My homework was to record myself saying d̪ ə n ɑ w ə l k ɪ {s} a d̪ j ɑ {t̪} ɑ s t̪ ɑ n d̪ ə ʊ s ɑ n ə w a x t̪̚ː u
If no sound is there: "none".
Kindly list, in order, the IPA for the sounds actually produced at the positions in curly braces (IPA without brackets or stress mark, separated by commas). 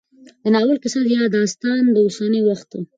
s, d̪